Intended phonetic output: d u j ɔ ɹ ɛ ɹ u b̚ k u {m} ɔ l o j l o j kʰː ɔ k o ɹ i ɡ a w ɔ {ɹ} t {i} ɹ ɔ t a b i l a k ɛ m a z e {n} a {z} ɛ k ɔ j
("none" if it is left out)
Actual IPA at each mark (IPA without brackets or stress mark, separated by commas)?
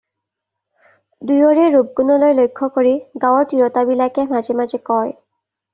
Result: n, ɹ, i, m, z